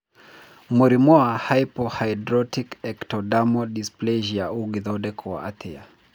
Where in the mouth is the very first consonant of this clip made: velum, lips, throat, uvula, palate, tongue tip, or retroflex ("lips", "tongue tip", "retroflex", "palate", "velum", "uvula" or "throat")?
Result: lips